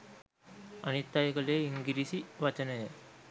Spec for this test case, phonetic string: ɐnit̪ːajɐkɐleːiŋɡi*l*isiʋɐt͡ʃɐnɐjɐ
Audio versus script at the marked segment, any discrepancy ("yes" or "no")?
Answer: yes